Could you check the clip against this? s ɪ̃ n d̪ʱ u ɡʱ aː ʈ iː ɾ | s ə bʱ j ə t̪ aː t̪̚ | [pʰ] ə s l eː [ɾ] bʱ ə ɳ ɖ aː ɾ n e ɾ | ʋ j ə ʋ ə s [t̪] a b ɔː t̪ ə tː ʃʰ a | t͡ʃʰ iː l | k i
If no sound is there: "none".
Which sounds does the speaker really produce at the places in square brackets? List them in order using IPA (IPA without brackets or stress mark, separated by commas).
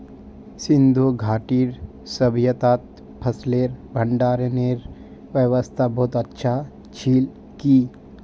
pʰ, ɾ, t̪ʰ